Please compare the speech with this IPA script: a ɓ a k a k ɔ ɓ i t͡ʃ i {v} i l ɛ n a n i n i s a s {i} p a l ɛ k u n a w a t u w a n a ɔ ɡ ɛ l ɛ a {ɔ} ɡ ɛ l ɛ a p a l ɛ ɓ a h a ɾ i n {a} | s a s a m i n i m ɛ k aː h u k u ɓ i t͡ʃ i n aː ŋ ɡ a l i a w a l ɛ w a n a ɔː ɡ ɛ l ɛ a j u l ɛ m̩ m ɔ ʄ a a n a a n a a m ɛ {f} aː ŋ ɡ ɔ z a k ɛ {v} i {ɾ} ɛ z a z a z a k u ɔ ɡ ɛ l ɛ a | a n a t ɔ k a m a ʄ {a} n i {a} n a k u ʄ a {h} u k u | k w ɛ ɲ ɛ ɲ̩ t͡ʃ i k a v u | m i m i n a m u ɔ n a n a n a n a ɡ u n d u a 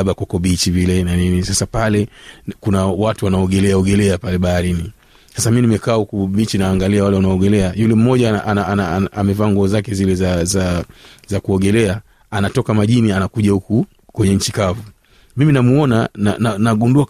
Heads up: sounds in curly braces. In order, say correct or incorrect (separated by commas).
correct, incorrect, correct, incorrect, incorrect, incorrect, incorrect, incorrect, correct, correct